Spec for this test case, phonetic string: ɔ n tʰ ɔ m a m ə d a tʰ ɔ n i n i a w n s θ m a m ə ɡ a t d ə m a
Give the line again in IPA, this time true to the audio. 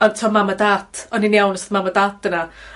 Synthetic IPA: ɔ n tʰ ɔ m a m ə d a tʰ ɔ n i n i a w n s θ m a m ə d a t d ə n a